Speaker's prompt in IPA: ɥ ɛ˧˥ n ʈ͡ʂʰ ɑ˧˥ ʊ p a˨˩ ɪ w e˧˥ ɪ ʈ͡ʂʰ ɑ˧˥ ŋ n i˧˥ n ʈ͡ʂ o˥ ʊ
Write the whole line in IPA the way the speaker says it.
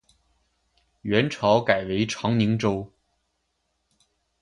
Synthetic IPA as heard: ɥ ɛ˧˥ n ʈ͡ʂʰ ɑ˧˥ ʊ k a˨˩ ɪ w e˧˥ ɪ ʈ͡ʂʰ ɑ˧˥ ŋ n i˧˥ ŋ ʈ͡ʂ o˥ ʊ